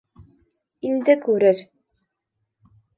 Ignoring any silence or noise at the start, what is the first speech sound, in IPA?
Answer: i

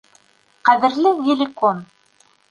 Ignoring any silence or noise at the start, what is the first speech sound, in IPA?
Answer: q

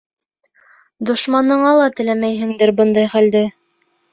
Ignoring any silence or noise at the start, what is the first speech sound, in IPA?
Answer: d̪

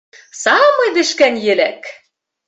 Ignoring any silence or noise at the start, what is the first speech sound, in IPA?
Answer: s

